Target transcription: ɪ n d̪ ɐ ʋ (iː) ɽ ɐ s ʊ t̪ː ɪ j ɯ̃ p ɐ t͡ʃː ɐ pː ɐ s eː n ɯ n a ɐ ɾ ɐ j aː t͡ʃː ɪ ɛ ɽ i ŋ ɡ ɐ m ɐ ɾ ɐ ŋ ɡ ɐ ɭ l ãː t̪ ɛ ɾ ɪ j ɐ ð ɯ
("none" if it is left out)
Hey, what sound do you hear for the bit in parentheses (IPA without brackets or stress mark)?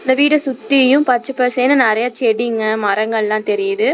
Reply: iː